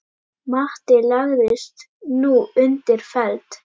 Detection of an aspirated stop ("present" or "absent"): absent